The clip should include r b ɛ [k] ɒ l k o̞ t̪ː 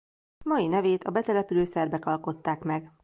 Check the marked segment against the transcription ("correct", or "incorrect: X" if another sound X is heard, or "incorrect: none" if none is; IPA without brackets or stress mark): correct